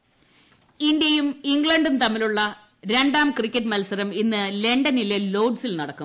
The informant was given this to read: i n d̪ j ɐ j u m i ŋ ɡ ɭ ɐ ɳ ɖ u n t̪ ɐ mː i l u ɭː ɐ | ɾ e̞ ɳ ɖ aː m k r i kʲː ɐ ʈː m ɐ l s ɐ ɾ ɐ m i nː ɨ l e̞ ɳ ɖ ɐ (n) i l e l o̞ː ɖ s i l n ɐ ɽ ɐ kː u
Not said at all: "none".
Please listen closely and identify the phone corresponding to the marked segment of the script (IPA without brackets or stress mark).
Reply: n